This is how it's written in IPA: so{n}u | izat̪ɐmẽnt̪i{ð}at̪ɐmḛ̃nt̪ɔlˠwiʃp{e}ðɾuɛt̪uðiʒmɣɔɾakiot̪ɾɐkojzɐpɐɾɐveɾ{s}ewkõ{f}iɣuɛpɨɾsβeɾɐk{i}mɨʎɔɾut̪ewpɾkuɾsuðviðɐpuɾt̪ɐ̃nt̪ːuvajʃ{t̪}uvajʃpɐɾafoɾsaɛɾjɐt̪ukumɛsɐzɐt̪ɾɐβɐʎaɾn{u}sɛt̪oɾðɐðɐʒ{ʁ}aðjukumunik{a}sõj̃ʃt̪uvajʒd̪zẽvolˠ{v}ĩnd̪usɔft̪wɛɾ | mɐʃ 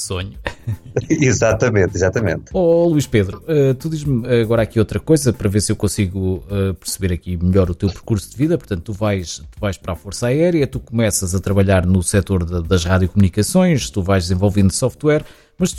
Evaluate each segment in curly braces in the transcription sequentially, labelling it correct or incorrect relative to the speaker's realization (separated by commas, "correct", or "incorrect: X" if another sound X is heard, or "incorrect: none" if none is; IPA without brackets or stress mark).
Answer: incorrect: ɲ, incorrect: z, correct, correct, incorrect: s, correct, correct, correct, correct, incorrect: ɐ, correct